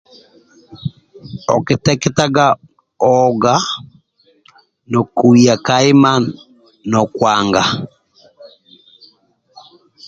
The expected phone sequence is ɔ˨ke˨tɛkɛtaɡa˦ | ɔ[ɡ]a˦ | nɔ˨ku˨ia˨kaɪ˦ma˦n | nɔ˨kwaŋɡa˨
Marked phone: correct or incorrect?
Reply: correct